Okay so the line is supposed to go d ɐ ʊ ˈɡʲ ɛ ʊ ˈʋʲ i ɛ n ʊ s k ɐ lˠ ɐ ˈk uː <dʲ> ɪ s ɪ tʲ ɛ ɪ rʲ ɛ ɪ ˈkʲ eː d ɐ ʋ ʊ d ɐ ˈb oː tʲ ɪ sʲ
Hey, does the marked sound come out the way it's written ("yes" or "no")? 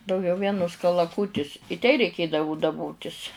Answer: no